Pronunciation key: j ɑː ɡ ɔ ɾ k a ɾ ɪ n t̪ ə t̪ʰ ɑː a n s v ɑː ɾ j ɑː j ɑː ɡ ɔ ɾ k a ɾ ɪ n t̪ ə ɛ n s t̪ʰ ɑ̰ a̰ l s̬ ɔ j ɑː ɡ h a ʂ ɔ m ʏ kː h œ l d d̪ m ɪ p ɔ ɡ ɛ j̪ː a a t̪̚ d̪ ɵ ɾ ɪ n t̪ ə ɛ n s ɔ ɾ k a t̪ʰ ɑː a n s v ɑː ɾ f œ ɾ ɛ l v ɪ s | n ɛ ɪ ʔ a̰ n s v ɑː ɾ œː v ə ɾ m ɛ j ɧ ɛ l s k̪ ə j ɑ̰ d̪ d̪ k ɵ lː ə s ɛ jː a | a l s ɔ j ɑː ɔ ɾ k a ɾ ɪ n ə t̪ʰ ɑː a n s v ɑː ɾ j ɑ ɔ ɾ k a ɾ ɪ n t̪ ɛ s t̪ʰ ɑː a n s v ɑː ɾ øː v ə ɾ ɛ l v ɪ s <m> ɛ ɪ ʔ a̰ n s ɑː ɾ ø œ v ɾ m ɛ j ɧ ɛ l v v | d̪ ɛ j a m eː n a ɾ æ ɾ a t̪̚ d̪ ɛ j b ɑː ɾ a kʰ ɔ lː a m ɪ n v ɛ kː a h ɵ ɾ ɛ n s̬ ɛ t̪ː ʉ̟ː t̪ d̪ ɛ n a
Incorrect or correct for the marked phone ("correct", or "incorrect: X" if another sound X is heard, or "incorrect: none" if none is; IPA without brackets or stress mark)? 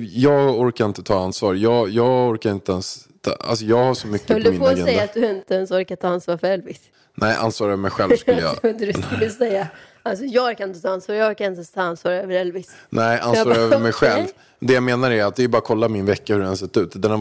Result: incorrect: n